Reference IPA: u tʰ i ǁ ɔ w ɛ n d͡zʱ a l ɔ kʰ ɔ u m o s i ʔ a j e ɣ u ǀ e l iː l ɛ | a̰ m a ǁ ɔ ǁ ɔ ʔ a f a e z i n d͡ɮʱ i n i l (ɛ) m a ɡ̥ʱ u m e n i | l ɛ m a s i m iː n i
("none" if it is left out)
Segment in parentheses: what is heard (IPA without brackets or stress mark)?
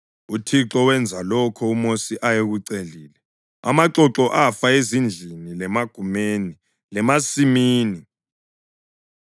ɛ